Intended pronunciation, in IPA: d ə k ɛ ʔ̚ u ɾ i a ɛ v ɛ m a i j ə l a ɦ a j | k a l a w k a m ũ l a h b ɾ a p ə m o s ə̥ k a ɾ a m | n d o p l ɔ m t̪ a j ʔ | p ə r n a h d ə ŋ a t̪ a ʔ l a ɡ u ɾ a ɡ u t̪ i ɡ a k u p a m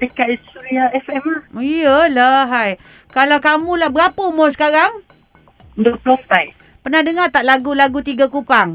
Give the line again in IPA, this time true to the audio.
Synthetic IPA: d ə k a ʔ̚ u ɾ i a ɛ f ɛ m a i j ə l a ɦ a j | k a l a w k a m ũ l a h b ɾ a p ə m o s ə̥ k a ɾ a ŋ | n d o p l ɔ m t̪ a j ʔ | p ə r n a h d ə ŋ a t̪ a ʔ l a ɡ u l a ɡ u t̪ i ɡ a k u p a ŋ